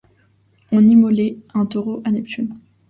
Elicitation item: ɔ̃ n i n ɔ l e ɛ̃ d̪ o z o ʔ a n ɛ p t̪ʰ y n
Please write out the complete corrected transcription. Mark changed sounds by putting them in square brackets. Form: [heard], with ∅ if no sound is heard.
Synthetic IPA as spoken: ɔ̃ n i [m] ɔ l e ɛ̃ [t̪] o [ʁ] o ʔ a n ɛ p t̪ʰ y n